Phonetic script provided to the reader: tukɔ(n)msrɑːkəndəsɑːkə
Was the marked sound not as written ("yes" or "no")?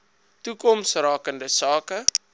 yes